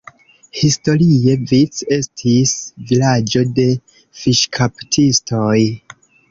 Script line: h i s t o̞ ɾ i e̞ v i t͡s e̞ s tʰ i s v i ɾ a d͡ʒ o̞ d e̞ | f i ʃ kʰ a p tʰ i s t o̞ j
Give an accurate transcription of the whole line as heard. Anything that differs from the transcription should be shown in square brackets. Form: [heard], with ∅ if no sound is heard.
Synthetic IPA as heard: h i s t o̞ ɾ i e̞ v i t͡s e̞ s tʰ i s v i [l] a d͡ʒ o̞ d e̞ | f i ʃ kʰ a p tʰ i s t o̞ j